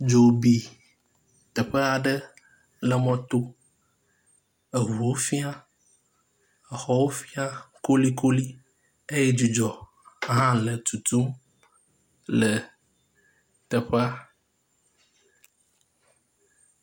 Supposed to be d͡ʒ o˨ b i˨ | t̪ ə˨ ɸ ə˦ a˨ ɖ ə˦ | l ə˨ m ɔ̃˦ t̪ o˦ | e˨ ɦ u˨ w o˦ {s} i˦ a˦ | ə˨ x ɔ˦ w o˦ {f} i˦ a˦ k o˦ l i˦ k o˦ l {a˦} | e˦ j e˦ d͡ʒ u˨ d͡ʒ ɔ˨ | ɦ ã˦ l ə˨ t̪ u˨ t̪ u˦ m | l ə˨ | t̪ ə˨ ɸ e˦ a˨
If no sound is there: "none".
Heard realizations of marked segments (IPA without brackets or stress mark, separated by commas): f, f, i˦